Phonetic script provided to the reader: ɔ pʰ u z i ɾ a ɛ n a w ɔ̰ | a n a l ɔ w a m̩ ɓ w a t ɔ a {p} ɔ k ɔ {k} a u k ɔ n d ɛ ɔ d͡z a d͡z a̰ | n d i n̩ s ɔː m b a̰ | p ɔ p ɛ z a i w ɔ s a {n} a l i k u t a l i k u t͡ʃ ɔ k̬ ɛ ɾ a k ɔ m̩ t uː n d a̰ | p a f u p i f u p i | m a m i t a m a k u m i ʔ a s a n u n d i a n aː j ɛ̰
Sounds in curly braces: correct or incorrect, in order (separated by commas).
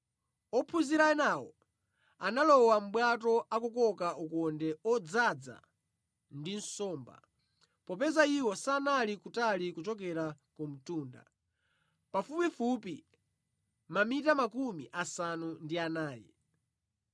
incorrect, correct, correct